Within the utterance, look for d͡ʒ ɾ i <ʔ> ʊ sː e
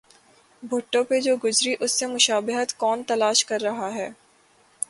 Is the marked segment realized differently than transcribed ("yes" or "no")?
no